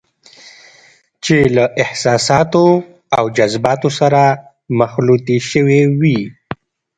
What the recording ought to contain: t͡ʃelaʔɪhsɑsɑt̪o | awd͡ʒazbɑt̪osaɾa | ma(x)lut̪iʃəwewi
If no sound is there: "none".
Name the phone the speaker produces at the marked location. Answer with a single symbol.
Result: x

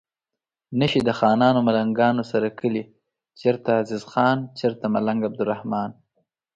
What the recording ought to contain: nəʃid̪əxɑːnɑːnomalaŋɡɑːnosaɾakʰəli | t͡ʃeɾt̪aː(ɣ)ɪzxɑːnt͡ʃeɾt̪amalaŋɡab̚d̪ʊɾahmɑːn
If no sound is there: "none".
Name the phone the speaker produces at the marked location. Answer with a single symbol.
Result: z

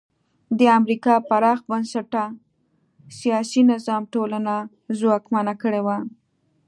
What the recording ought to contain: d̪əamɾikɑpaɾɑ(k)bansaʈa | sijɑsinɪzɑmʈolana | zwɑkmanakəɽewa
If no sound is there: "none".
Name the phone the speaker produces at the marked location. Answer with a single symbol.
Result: x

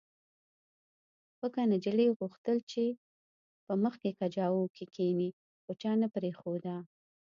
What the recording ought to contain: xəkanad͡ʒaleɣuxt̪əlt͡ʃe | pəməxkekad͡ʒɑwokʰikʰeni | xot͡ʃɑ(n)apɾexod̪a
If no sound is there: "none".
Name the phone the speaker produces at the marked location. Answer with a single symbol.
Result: n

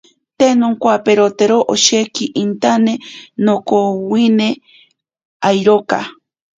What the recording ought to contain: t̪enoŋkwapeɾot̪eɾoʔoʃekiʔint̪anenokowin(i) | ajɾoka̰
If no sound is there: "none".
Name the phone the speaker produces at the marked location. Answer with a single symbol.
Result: e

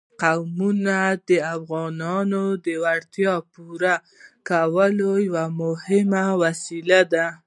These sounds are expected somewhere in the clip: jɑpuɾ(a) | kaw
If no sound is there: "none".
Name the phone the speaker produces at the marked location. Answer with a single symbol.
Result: a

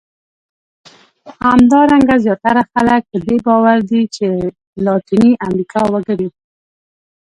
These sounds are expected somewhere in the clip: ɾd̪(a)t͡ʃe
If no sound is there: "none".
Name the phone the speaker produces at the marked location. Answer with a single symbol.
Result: i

